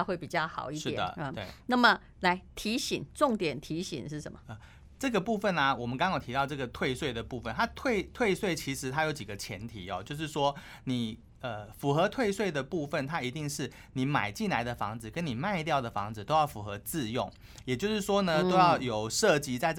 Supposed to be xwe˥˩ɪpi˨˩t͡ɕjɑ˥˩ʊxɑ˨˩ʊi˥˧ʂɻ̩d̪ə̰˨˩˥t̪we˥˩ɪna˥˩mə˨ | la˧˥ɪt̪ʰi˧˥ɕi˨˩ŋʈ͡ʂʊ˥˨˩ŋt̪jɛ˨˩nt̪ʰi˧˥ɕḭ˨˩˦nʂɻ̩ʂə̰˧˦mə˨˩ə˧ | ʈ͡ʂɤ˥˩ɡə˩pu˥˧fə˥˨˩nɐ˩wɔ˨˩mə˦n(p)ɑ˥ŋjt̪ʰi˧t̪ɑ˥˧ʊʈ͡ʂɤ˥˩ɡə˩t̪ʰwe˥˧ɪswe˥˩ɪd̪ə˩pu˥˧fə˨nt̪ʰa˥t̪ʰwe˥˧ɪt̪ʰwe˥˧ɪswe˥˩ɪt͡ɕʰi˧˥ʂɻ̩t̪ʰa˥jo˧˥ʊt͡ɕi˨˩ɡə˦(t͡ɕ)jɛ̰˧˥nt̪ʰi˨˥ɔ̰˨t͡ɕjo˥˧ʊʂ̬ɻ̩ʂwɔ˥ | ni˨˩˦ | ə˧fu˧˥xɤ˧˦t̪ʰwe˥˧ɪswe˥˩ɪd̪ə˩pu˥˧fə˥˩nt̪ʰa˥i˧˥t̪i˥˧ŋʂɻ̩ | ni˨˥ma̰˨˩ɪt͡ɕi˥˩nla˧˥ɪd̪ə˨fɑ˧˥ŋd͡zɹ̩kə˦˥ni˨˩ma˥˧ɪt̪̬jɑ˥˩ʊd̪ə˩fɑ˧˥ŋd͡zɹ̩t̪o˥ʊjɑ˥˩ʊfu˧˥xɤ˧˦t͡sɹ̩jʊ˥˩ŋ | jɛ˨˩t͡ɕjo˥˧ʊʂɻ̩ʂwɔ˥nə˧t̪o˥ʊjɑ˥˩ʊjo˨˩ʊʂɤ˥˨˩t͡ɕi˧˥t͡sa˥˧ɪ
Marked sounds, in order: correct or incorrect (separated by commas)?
incorrect, incorrect